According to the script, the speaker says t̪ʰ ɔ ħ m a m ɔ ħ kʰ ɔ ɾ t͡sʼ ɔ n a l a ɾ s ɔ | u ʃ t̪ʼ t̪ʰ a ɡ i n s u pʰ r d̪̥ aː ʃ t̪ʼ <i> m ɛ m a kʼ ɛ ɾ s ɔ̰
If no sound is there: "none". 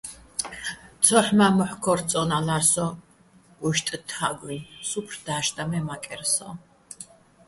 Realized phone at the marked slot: a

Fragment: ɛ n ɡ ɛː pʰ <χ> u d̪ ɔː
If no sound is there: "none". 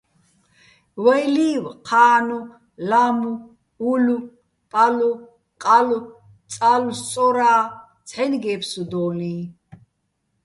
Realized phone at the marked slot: s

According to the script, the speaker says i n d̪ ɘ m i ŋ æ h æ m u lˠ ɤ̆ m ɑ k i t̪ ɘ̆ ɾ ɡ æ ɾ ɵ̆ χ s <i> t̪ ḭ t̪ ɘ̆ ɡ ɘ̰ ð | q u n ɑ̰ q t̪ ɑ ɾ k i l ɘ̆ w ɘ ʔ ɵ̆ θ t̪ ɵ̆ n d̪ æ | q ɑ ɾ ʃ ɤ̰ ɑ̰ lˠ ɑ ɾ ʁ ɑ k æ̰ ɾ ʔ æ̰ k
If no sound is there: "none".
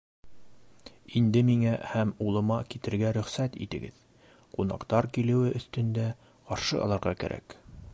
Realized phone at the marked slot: æ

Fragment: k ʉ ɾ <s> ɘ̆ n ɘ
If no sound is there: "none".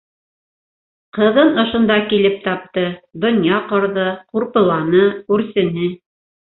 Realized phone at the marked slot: s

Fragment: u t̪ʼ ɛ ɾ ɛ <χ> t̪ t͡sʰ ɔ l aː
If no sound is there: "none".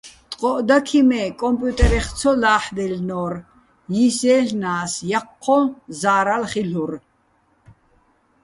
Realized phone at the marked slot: χ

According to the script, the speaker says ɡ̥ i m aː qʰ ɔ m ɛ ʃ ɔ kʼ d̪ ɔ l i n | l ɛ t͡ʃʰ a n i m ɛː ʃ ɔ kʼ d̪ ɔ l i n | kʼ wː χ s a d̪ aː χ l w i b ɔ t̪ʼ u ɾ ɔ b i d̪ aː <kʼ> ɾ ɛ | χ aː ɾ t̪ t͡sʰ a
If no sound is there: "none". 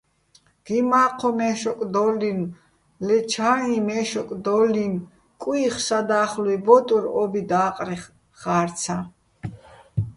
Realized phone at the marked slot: qʼ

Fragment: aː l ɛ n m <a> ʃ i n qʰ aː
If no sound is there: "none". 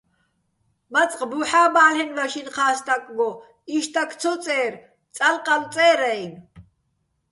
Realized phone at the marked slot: a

